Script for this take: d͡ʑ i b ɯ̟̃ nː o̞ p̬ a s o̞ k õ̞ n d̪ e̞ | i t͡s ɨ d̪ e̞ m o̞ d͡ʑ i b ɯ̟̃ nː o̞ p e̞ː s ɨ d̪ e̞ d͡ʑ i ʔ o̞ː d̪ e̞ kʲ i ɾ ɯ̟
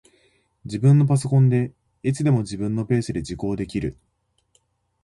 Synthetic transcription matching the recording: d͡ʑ i b ɯ̟̃ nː o̞ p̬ a s o̞ k õ̞ n d̪ e̞ | i t͡s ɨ d̪ e̞ m o̞ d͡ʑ i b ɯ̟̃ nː o̞ p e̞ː s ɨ d̪ e̞ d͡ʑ i k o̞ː d̪ e̞ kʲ i ɾ ɯ̟